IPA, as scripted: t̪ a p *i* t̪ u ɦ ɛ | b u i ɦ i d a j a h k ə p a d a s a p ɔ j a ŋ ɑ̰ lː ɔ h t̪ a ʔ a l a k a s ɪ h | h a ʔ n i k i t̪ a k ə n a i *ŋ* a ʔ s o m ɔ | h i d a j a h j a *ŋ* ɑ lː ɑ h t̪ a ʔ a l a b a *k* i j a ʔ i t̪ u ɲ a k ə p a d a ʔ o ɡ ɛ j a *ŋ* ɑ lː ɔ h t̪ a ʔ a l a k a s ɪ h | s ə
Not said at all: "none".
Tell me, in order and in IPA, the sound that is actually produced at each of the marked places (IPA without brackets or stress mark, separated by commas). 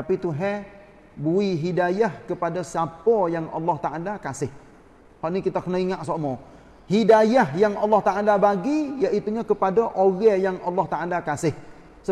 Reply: i, ŋ, ŋ, ɡ, ŋ